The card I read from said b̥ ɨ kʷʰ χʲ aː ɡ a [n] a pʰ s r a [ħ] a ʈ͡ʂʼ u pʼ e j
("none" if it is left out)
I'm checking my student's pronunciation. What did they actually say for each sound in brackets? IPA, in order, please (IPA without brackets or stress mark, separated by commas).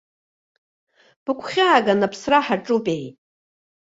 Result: n, ħ